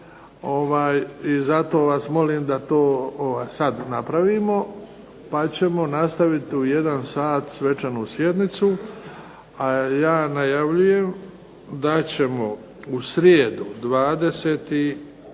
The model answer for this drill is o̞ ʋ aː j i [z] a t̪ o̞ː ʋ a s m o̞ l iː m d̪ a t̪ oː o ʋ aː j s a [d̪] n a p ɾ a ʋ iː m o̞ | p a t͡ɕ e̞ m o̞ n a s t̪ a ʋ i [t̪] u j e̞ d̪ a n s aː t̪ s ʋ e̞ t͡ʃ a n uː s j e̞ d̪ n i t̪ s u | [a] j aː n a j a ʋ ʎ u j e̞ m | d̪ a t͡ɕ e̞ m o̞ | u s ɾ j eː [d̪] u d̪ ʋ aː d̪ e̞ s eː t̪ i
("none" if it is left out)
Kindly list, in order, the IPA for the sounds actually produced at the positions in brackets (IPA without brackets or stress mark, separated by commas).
z, d̪, t̪, a, d̪